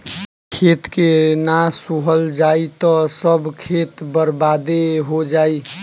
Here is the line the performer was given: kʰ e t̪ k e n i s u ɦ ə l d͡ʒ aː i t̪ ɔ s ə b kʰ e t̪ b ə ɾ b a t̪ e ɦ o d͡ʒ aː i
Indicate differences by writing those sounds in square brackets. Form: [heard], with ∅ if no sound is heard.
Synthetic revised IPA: kʰ e t̪ k e n [a] s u ɦ ə l d͡ʒ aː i t̪ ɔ s ə b kʰ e t̪ b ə ɾ b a [d̪] e ɦ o d͡ʒ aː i